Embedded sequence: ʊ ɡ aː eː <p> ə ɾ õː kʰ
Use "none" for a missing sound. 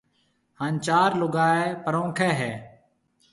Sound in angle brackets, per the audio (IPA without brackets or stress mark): p